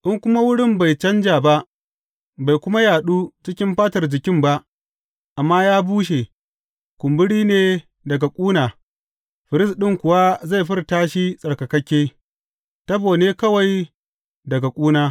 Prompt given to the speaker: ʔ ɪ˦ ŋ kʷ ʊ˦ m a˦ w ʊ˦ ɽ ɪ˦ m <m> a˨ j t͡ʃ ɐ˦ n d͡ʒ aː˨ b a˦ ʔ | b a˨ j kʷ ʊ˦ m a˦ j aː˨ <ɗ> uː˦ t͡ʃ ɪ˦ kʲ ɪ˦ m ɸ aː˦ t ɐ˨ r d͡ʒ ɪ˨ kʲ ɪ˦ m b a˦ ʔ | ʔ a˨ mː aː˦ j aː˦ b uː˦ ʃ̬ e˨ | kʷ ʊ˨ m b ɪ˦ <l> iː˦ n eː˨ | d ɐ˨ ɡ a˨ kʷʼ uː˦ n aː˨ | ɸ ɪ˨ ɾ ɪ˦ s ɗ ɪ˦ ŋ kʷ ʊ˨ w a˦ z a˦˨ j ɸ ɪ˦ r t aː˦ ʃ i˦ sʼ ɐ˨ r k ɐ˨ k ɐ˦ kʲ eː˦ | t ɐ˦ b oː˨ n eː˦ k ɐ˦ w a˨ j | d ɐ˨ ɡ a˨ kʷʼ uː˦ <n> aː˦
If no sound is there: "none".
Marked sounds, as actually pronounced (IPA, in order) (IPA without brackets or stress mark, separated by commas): b, ɗ, ɽ, n